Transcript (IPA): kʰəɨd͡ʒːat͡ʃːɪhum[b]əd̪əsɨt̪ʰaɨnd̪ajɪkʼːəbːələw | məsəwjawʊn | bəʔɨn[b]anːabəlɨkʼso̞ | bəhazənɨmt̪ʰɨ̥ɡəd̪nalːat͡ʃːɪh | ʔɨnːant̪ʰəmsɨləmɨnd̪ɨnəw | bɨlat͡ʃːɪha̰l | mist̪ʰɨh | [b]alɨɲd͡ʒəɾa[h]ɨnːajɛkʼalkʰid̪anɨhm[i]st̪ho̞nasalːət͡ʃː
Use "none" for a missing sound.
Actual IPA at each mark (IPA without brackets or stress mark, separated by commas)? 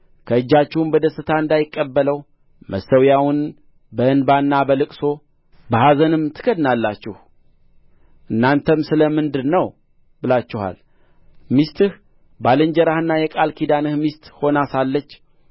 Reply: b, b, b, h, i